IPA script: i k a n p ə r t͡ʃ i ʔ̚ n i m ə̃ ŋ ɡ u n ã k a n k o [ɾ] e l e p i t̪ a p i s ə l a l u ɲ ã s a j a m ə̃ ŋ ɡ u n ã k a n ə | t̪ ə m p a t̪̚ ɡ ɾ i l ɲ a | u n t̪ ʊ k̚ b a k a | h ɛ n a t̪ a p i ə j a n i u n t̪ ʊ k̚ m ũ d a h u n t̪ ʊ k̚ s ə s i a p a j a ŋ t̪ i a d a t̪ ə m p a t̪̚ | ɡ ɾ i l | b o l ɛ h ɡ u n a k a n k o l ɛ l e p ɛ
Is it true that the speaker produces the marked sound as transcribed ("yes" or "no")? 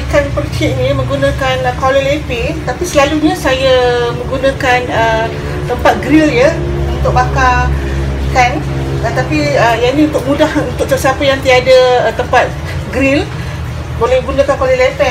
no